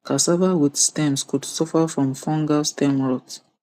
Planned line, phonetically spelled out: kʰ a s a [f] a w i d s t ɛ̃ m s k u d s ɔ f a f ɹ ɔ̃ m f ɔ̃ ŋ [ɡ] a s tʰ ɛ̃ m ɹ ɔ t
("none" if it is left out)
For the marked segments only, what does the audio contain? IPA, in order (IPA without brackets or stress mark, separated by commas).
v, ɡ